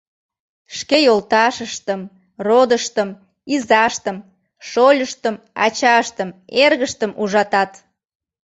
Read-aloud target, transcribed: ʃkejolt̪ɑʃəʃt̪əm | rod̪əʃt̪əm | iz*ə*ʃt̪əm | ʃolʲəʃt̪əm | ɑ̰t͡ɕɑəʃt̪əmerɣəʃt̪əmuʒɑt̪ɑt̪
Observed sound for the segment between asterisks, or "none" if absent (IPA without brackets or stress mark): ɑ